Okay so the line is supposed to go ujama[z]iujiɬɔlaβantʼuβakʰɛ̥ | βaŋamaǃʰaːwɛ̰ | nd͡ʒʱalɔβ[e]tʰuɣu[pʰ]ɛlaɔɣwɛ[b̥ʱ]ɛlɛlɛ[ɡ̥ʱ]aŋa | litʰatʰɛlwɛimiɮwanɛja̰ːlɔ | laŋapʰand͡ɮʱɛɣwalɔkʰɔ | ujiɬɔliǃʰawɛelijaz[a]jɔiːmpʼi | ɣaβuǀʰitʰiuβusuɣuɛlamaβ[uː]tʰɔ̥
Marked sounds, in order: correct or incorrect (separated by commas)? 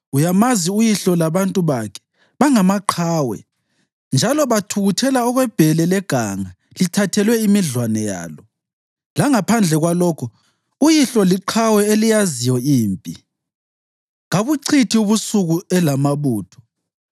correct, incorrect, incorrect, correct, correct, incorrect, correct